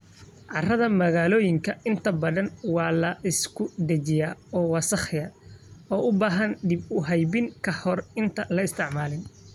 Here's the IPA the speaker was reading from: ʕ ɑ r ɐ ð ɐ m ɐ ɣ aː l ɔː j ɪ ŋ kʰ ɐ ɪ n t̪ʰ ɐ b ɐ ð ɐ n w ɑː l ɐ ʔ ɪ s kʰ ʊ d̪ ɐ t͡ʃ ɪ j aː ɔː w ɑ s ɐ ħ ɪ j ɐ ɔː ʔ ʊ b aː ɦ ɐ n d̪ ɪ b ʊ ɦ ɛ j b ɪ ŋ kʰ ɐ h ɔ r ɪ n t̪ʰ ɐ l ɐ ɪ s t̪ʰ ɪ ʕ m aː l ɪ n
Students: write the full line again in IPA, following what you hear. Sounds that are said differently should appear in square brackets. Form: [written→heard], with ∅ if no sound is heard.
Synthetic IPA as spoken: ʕ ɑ r ɐ ð ɐ m ɐ ɣ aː l ɔː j ɪ ŋ kʰ ɐ ɪ n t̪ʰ ɐ b ɐ ð ɐ n w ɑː l ɐ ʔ ɪ s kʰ ʊ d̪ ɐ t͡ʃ ɪ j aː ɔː w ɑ s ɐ [ħ→χ] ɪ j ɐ ɔː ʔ ʊ b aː ɦ ɐ n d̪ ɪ b ʊ ɦ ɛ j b ɪ ŋ kʰ ɐ h ɔ r ɪ n t̪ʰ ɐ l ɐ ɪ s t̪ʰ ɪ ʕ m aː l ɪ n